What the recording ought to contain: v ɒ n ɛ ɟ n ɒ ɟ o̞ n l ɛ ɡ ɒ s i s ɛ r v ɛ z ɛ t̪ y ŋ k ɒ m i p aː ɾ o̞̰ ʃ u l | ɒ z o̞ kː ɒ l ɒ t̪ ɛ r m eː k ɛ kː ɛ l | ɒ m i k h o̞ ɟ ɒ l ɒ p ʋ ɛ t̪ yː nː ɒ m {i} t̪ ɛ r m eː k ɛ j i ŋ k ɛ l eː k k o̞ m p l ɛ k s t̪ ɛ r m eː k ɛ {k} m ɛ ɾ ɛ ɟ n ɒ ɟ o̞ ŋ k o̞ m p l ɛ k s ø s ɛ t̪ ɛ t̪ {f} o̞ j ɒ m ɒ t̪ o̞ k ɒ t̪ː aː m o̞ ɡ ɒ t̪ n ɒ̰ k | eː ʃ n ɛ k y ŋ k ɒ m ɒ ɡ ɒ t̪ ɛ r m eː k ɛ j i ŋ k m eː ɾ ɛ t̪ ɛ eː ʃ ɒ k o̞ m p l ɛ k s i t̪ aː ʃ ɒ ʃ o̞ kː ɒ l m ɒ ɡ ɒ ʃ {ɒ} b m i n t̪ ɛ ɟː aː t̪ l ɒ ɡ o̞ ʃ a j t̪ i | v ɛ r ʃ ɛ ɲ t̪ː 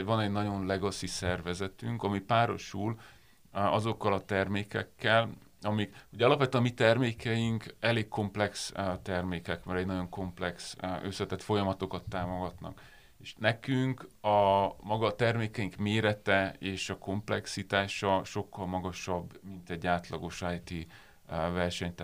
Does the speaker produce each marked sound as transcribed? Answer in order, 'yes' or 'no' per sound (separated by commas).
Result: yes, yes, yes, yes